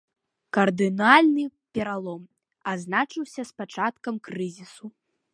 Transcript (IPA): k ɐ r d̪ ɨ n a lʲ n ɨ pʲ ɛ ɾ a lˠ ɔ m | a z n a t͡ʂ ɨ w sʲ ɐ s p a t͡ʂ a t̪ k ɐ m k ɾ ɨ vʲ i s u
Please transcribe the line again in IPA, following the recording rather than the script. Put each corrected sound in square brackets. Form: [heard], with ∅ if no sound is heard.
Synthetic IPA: k ɐ r d̪ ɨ n a lʲ n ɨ pʲ ɛ ɾ a lˠ ɔ m | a z n a t͡ʂ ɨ w sʲ ɐ s p a t͡ʂ a t̪ k ɐ m k ɾ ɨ [zʲ] i s u